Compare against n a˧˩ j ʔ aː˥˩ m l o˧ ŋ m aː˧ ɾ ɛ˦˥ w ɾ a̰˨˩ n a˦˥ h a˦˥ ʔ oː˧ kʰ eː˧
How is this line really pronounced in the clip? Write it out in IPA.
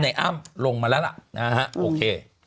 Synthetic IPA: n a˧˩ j ʔ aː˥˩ m l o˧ ŋ m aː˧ l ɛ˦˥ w l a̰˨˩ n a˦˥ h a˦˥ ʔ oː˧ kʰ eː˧